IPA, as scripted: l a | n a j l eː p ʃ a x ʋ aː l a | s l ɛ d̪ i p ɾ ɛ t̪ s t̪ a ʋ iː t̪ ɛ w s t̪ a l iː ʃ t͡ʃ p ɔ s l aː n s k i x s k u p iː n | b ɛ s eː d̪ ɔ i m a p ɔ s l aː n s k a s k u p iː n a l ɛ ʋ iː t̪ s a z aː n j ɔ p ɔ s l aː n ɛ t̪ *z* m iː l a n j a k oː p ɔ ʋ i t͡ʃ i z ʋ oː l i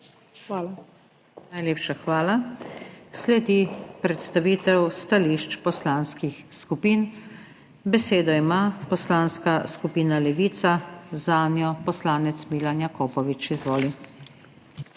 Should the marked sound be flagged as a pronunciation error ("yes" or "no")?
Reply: yes